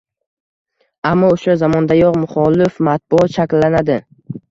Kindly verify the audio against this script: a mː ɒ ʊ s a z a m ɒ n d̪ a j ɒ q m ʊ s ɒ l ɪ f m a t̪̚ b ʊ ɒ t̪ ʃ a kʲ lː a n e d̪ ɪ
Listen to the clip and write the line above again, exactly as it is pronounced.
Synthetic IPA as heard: a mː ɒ ʊ ʃ a z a m ɒ n d̪ a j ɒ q m ʊ χ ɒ l ɪ f m a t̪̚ b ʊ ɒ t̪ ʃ a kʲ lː a n a d̪ ɪ